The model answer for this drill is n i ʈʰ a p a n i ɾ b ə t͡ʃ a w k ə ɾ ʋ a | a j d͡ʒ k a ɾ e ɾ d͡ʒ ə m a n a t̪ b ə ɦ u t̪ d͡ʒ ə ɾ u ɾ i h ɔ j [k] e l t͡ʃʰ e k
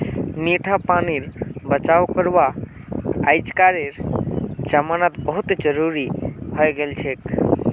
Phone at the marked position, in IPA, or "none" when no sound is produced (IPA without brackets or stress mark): ɡ